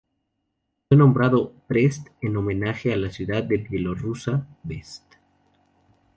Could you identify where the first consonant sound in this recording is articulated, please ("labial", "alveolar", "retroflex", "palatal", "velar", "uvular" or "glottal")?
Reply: labial